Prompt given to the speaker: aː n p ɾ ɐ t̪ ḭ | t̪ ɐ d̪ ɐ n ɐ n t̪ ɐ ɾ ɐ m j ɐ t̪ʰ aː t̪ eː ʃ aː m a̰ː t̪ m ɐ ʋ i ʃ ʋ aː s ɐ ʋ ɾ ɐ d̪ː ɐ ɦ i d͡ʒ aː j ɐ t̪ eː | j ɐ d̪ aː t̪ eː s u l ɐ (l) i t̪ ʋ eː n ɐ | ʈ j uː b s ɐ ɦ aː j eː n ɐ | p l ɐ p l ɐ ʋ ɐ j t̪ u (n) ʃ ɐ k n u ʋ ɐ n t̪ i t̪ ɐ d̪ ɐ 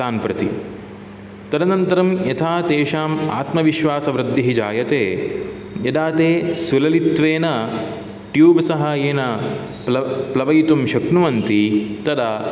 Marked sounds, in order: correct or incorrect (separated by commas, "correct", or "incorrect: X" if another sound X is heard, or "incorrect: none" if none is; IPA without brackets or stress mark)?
correct, incorrect: m